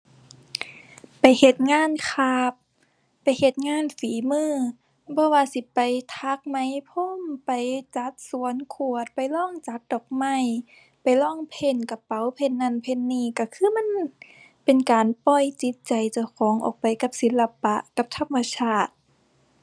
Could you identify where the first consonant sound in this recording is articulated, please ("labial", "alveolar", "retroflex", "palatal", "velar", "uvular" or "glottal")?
labial